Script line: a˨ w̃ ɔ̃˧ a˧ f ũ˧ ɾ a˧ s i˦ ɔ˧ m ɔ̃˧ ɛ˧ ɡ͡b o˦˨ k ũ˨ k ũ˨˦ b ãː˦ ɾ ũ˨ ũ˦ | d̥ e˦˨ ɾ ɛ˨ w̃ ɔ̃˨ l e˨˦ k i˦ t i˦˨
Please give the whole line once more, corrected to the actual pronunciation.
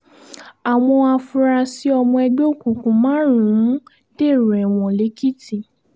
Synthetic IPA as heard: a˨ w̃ ɔ̃˧ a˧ f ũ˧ ɾ a˧ s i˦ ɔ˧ m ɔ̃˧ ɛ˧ ɡ͡b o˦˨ k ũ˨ k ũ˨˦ m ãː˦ ɾ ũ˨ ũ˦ | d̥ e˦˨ ɾ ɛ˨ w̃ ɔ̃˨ l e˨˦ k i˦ t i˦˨